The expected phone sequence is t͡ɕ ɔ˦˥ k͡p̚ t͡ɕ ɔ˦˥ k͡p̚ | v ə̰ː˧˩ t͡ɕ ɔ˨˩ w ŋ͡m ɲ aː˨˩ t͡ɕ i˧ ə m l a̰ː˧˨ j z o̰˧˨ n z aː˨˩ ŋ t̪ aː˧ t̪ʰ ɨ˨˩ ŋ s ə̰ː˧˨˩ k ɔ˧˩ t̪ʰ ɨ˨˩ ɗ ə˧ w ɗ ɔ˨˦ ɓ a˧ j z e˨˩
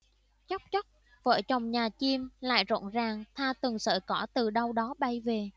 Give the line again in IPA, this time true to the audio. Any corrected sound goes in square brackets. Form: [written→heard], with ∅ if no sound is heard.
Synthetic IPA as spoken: t͡ɕ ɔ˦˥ k͡p̚ t͡ɕ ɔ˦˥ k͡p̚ | v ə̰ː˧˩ t͡ɕ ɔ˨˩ w ŋ͡m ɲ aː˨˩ t͡ɕ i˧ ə m l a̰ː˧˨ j z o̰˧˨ n z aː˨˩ ŋ [t̪→t̪ʰ] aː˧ [t̪ʰ→t̪] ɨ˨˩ ŋ s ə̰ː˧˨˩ k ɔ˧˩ [t̪ʰ→t̪] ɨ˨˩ ɗ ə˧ w ɗ ɔ˨˦ ɓ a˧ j [z→v] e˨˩